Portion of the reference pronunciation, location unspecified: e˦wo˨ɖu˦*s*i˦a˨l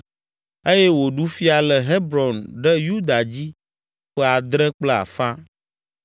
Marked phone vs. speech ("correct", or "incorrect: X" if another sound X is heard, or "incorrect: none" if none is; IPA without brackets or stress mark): incorrect: f